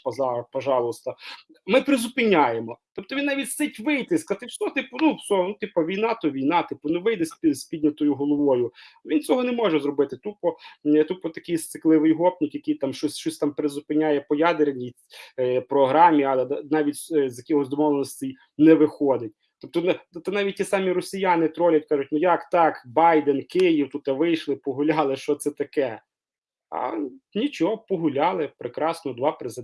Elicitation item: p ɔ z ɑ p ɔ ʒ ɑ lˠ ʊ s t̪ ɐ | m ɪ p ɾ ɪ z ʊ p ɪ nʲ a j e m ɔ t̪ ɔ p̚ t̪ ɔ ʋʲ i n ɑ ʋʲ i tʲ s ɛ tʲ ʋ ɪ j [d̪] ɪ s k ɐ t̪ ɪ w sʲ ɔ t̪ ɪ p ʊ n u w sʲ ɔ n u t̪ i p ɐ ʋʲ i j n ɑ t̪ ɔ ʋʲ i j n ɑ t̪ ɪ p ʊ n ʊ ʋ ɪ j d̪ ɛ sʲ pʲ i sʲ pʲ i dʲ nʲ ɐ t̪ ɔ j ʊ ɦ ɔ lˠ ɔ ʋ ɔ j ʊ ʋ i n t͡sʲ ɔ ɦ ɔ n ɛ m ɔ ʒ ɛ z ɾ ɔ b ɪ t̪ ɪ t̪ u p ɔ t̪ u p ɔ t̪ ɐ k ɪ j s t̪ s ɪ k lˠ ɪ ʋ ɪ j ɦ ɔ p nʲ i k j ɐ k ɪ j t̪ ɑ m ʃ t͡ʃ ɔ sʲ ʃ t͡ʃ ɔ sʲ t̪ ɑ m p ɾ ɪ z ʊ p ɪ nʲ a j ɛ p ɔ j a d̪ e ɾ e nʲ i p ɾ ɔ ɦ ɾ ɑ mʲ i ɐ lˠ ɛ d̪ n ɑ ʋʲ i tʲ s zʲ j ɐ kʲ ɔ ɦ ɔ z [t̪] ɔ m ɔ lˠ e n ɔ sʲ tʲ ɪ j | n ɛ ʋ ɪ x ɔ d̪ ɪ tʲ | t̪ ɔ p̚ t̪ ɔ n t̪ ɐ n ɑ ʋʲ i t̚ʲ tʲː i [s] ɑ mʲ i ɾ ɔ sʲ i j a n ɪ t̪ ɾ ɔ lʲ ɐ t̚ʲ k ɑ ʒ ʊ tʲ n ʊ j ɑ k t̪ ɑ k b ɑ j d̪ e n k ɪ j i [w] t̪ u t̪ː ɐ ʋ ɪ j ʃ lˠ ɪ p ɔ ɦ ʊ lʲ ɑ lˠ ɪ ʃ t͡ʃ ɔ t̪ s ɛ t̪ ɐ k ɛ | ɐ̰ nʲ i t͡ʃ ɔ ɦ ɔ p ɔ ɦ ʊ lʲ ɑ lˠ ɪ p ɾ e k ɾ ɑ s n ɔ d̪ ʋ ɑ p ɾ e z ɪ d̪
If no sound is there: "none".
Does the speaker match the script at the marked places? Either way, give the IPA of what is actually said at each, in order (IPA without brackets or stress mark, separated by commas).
t̪, d̪, s, w